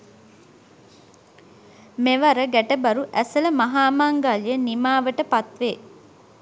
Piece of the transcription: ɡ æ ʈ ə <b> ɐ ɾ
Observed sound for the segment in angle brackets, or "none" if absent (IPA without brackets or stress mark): b